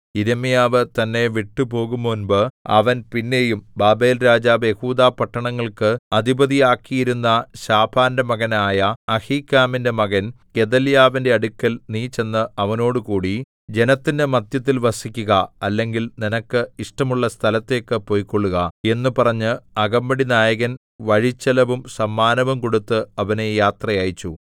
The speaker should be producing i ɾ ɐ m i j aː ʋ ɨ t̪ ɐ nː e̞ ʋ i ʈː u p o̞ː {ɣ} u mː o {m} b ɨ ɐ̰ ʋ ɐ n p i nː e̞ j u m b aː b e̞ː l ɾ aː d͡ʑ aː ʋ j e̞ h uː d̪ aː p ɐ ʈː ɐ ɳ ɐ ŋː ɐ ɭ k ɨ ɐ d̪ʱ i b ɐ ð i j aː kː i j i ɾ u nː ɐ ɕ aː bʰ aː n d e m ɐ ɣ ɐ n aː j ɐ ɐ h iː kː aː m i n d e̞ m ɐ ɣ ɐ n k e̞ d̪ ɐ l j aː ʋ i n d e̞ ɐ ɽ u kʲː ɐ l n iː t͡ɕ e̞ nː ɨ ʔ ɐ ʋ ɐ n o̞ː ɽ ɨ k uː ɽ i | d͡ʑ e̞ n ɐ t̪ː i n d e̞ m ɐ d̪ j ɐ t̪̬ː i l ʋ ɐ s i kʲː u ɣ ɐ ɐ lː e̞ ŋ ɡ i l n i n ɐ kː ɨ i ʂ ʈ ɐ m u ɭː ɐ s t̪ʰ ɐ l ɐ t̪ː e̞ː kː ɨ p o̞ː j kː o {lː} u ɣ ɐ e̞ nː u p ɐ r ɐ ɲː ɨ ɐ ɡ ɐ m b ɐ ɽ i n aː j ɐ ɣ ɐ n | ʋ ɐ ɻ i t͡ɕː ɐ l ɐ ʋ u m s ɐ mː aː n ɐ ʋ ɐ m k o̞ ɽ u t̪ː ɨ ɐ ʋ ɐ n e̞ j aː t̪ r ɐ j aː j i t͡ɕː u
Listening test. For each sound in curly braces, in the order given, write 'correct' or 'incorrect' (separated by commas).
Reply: correct, incorrect, incorrect